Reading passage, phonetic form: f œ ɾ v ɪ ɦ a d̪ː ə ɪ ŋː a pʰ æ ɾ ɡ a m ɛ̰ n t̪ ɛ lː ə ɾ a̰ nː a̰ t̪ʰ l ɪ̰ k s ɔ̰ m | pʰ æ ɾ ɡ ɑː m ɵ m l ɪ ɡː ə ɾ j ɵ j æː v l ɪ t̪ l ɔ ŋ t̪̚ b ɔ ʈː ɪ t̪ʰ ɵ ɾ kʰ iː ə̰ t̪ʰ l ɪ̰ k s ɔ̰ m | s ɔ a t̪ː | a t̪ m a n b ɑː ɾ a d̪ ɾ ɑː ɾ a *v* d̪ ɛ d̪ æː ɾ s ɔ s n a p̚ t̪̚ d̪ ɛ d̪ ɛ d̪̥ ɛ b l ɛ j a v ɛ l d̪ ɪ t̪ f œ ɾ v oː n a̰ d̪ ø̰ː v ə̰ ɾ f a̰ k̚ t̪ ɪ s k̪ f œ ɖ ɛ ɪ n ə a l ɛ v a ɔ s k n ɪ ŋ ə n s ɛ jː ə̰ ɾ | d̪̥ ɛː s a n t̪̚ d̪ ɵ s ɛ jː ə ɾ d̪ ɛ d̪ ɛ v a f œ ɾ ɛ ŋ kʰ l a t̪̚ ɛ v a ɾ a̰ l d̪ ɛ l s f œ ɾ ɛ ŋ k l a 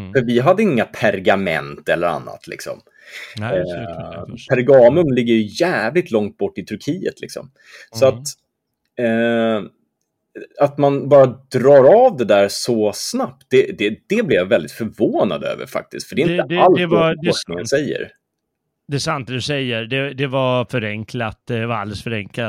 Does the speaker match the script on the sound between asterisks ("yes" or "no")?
yes